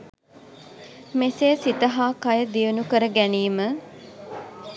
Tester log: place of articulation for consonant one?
labial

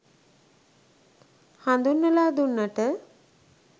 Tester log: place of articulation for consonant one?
glottal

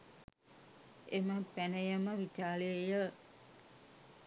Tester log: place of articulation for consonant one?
labial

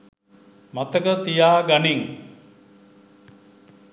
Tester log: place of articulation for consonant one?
labial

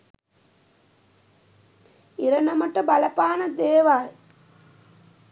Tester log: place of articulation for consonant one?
alveolar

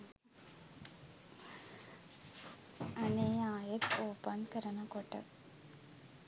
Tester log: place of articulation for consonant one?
alveolar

